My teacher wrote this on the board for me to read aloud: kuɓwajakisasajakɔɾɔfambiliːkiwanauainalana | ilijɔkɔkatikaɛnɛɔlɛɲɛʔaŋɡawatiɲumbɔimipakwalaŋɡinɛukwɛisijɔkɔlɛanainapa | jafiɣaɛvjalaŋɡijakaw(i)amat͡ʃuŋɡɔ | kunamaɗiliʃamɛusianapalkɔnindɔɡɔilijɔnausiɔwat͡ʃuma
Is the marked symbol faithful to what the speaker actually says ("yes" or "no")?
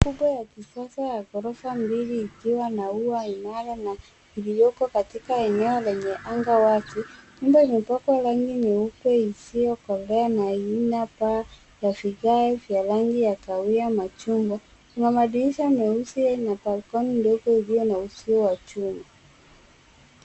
yes